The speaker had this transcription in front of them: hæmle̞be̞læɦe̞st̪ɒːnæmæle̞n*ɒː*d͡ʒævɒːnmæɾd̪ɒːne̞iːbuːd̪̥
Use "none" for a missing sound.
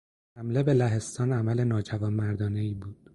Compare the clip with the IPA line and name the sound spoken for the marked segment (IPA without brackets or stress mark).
ɒː